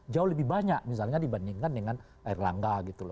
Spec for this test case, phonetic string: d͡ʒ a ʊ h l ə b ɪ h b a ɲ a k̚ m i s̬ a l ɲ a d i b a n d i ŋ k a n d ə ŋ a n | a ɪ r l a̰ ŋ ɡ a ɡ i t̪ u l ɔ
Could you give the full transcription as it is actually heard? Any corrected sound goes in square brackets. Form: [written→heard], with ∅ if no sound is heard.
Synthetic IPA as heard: d͡ʒ a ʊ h l ə b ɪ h b a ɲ a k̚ m i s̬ a l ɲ a d i b a n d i ŋ k a n d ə ŋ a n | a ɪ r l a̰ ŋ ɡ a ɡ i t̪ u l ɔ